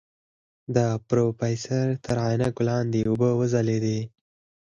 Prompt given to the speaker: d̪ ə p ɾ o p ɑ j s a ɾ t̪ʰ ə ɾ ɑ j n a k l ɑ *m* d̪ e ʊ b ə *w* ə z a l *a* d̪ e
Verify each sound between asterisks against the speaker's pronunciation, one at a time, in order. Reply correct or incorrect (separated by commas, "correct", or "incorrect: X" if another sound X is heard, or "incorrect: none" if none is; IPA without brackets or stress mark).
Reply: incorrect: n, correct, incorrect: e